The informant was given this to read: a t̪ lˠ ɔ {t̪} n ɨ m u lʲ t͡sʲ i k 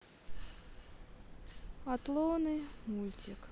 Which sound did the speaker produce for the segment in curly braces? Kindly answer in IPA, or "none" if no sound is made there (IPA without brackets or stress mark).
none